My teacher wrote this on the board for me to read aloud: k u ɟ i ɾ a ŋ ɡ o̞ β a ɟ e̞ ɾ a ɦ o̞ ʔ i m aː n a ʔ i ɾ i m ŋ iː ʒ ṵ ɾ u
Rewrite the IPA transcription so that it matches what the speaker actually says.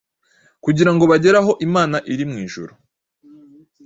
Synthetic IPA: k u ɟ i ɾ a ŋ ɡ o̞ β a ɟ e̞ ɾ a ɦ o̞ ʔ i m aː n a ʔ i ɾ i m ŋ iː ʒ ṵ ɾ u